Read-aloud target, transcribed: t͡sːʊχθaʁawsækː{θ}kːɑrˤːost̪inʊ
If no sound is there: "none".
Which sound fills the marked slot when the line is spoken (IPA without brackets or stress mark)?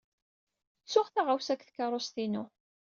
θ